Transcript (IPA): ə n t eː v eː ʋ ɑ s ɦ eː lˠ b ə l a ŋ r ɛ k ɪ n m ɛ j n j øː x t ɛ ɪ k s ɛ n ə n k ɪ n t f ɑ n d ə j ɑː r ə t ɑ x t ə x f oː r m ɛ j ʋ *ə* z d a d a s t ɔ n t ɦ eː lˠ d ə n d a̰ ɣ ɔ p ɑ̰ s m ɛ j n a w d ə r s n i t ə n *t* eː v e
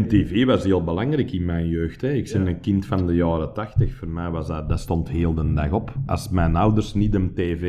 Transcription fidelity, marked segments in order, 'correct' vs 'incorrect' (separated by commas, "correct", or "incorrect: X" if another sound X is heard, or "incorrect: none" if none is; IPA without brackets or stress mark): incorrect: ɑ, correct